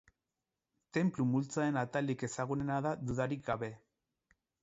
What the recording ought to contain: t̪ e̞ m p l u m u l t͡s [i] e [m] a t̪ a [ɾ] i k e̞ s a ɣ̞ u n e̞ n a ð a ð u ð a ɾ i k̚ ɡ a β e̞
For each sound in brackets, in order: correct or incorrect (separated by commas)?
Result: incorrect, incorrect, incorrect